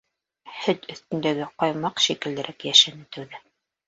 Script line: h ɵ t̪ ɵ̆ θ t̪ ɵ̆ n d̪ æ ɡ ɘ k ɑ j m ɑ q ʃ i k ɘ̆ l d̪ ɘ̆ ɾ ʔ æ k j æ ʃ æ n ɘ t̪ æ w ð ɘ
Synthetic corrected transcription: h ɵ t̪ ɵ̆ θ t̪ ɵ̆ n d̪ æ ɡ ɘ q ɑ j m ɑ q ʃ i k ɘ̆ l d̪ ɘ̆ ɾ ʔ æ k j æ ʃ æ n ɘ t̪ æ w ð ɘ